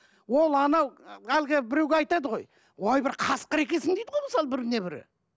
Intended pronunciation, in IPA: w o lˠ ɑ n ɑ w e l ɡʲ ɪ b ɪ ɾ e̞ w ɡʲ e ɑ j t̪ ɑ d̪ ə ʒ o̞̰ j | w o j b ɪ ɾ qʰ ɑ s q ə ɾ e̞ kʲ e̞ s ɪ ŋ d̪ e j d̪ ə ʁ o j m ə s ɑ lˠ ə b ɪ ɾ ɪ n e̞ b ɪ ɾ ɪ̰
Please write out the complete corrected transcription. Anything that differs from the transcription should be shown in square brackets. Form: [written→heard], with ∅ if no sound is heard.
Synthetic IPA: w o lˠ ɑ n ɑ w [e→æ] l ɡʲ ɪ b ɪ ɾ e̞ w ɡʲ e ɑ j t̪ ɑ d̪ ə [ʒ→ʁ] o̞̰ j | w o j b ɪ ɾ qʰ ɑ s q ə ɾ e̞ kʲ e̞ s ɪ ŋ d̪ e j d̪ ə ʁ o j m ə s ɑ lˠ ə b ɪ ɾ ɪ n e̞ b ɪ ɾ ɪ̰